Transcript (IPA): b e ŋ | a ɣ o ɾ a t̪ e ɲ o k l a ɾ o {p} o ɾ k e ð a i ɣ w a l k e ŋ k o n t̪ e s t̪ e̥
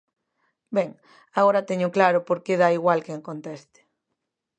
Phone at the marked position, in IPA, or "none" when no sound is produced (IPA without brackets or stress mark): p